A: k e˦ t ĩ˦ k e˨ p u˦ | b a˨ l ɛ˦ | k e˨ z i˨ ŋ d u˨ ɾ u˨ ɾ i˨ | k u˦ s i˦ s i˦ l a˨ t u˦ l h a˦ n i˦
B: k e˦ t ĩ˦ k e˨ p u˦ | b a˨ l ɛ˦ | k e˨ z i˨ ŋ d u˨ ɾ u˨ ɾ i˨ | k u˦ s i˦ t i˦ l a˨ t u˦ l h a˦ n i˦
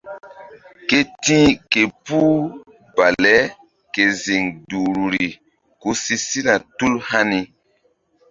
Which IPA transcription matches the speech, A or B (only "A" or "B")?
A